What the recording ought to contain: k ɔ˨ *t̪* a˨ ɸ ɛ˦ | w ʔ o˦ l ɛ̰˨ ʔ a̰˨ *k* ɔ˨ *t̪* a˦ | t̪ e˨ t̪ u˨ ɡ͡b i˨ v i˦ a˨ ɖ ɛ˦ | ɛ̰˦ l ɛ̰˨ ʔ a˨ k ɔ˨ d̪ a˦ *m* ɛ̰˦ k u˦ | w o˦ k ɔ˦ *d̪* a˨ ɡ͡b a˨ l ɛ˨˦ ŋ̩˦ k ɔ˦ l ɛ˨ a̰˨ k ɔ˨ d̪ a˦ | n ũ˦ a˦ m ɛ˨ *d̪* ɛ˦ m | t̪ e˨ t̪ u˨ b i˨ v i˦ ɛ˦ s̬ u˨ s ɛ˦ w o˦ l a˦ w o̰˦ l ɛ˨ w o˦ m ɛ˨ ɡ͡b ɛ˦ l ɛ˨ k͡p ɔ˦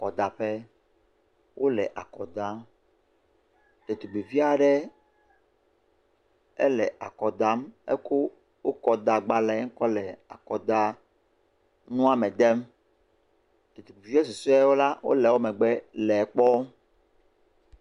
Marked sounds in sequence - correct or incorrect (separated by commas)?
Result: incorrect, correct, incorrect, correct, correct, correct